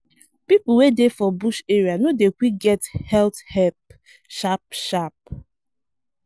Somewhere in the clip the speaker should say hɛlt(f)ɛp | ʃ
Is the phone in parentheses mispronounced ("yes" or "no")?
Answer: yes